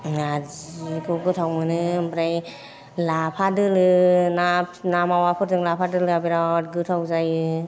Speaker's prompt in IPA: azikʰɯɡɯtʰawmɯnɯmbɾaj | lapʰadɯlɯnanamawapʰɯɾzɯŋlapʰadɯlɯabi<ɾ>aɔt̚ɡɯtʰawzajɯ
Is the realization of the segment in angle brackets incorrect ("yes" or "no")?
no